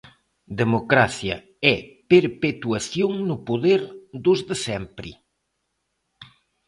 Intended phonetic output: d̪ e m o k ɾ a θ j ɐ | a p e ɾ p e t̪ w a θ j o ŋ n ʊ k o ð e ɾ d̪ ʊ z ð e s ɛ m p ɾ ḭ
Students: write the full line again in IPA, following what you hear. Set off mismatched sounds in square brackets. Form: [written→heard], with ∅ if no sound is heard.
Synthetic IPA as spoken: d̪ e m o k ɾ a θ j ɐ | [a→ɛ] p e ɾ p e t̪ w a θ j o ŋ n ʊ [k→p] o ð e ɾ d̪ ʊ z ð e s ɛ m p ɾ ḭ